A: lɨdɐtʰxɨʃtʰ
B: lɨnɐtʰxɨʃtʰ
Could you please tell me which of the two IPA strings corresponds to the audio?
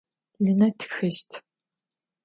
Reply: B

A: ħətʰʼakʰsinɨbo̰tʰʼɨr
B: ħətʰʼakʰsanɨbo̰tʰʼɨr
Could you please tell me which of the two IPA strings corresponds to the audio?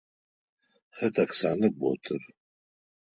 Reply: B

